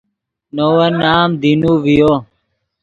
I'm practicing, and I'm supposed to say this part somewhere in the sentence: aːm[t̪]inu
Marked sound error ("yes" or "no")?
yes